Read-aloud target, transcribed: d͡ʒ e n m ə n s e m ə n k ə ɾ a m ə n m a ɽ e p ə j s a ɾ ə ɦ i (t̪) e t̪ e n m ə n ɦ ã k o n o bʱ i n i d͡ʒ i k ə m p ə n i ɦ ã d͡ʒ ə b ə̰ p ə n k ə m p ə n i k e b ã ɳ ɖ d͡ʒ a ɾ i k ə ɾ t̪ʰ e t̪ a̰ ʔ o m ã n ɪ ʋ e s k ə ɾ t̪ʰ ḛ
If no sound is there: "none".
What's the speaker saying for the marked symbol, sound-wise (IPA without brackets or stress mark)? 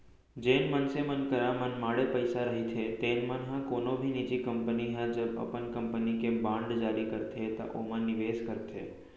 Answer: t̪ʰ